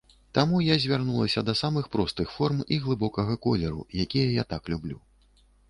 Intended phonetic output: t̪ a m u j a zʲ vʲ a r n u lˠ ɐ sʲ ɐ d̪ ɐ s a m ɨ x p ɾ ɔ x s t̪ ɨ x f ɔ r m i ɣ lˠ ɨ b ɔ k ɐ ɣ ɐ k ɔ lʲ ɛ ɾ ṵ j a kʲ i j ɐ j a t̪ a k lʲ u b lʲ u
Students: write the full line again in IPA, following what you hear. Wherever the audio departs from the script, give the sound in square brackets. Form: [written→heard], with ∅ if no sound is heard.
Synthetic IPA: t̪ a m u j a zʲ vʲ a r n u lˠ ɐ sʲ ɐ d̪ ɐ s a m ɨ x p ɾ ɔ [x→∅] s t̪ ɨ x f ɔ r m i ɣ lˠ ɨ b ɔ k ɐ ɣ ɐ k ɔ lʲ ɛ ɾ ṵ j a kʲ i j ɐ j a t̪ a k lʲ u b lʲ u